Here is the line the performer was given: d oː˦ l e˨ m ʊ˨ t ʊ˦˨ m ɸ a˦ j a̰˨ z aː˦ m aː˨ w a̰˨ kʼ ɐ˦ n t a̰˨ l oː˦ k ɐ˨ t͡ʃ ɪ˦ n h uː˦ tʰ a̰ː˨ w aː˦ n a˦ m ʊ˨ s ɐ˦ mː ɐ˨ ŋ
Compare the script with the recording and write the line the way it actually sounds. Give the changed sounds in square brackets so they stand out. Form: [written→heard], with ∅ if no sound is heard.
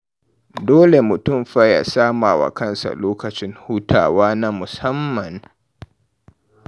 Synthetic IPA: d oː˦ l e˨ m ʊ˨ t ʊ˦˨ m ɸ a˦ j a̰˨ [z→s] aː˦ m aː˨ w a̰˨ [kʼ→k] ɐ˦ n [t→s] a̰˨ l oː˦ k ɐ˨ t͡ʃ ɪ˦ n h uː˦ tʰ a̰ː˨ w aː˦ n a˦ m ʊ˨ s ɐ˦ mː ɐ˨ [ŋ→n]